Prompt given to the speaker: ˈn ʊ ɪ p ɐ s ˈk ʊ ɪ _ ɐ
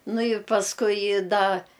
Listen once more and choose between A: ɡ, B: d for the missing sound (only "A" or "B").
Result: B